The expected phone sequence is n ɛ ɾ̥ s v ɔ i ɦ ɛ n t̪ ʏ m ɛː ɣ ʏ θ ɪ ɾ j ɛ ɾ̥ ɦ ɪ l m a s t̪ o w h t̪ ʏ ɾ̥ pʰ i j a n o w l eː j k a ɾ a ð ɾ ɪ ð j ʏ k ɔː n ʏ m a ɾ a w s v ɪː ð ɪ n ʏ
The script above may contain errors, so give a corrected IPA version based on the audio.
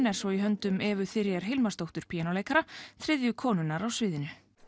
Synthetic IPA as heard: n ɛ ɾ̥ s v ɔ i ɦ œ n t̪ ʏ m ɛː v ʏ θ ɪ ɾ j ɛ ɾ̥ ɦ ɪ l m a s t̪ o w h t̪ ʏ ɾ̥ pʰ i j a n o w l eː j k a ɾ a θ ɾ ɪ ð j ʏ kʰ ɔː n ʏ n a ɾ a w s v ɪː ð ɪ n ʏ